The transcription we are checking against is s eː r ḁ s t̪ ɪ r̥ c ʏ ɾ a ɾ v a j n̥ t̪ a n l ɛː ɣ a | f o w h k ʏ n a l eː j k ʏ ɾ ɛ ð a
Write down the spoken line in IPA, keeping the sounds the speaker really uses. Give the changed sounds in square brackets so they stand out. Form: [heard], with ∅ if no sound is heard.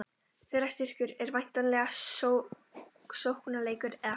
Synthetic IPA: [θ] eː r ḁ s t̪ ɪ r̥ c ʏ ɾ [ɛ] ɾ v a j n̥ t̪ a n l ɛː ɣ a | [s] o w h k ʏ n a l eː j k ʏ ɾ ɛ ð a